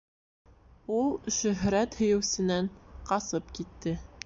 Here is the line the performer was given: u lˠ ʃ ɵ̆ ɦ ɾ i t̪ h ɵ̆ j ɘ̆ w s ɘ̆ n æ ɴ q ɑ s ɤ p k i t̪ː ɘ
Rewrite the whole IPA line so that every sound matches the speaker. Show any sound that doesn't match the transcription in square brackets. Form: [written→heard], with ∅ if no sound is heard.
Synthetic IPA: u lˠ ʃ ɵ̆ ɦ ɾ [i→æ] t̪ h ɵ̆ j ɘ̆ w s ɘ̆ n æ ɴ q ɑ s ɤ p k i t̪ː ɘ